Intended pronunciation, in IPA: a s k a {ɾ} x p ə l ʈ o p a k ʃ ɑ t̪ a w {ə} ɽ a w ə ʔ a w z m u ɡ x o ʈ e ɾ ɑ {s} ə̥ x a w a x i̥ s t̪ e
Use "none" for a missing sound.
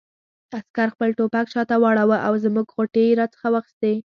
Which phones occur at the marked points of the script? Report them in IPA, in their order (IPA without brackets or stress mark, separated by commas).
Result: ɾ, ɑ, t͡s